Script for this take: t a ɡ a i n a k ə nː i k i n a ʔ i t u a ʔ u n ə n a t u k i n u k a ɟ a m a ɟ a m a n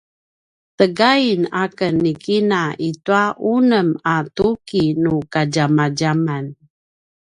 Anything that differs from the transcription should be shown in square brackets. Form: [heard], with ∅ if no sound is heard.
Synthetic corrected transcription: t [ə] ɡ a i n a k ə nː i k i n a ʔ i t u a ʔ u n ə [m] a t u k i n u k a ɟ a m a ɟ a m a n